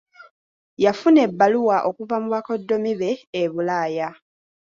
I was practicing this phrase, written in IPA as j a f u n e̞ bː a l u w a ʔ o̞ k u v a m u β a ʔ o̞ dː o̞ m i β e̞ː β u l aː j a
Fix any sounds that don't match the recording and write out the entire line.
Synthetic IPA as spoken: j a f u n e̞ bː a l u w a ʔ o̞ k u v a m u β a k o̞ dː o̞ m i β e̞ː β u l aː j a